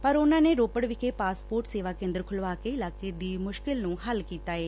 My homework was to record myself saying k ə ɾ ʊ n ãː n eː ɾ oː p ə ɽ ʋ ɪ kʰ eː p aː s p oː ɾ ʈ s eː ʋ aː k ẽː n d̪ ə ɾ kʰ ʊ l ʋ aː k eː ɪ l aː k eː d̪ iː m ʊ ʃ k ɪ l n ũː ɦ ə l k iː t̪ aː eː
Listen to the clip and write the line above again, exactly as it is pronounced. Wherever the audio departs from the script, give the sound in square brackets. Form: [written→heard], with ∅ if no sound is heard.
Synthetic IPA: [k→p] ə ɾ ʊ n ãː n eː ɾ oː p ə ɽ ʋ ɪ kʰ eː p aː s p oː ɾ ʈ s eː ʋ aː k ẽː n d̪ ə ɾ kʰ ʊ l ʋ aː k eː ɪ l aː k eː d̪ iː m ʊ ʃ k ɪ l n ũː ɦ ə l k iː t̪ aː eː